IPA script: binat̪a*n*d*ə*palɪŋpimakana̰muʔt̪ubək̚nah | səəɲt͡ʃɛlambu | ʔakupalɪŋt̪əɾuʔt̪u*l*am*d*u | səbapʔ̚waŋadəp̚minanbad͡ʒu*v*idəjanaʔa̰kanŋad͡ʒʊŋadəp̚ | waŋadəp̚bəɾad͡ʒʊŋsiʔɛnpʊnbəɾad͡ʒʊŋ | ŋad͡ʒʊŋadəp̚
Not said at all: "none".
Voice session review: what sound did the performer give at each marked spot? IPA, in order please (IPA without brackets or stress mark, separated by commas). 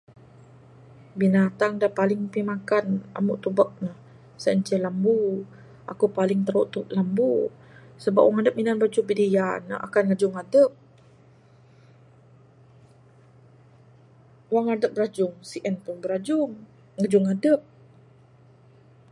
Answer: ŋ, a, l, b, b